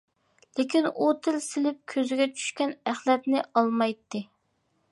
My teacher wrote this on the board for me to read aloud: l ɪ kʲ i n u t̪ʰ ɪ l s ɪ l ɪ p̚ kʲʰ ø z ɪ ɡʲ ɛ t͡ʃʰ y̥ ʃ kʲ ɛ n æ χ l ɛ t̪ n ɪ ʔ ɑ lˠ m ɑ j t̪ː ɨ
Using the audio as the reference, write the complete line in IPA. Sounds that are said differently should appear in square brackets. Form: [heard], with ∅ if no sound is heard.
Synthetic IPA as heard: l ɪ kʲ i n u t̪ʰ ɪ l s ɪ l ɪ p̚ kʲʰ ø z ɪ ɡʲ ɛ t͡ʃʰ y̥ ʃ kʲ ɛ n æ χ l ɛ t̪ n ɪ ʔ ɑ lˠ m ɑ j t̪ː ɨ